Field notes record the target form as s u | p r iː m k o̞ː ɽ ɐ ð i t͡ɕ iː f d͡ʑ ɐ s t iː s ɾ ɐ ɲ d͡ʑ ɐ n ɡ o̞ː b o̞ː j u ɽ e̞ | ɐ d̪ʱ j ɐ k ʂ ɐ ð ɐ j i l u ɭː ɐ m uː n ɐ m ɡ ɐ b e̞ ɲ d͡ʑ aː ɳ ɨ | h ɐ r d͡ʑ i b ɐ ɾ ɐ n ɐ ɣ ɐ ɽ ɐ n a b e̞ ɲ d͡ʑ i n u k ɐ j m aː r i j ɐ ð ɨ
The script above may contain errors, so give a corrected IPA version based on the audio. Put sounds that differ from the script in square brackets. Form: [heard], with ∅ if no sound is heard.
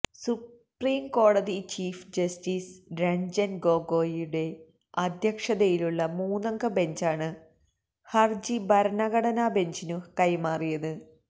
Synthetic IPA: s u | p r iː m k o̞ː ɽ ɐ ð i t͡ɕ iː f d͡ʑ ɐ s t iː s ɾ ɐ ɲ d͡ʑ ɐ n ɡ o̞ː [ɡ] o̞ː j u ɽ e̞ | ɐ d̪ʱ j ɐ k ʂ ɐ ð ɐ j i l u ɭː ɐ m uː n ɐ [ŋ] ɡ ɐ b e̞ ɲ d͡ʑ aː ɳ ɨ | h ɐ r d͡ʑ i b ɐ ɾ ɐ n ɐ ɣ ɐ ɽ ɐ n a b e̞ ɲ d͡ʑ i n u k ɐ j m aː r i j ɐ ð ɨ